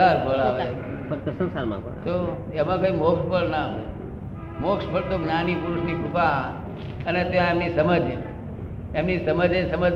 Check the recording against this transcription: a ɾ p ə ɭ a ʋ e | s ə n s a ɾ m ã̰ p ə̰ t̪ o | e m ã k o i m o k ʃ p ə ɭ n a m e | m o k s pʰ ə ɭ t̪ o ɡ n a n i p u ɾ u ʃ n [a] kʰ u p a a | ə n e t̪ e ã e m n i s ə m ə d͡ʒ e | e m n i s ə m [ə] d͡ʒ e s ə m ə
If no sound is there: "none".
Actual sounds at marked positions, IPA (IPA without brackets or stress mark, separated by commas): i, ə